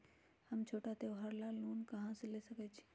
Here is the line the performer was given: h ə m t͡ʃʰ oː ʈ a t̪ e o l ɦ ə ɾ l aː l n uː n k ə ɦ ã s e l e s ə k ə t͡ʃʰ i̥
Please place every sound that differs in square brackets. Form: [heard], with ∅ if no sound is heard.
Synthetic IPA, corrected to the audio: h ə m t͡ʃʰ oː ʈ a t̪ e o [∅] ɦ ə ɾ l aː l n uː n k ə ɦ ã s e l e s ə k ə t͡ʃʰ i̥